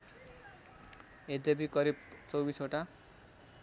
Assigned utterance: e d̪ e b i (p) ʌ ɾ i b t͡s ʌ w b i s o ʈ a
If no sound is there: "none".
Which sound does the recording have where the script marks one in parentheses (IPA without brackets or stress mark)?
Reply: k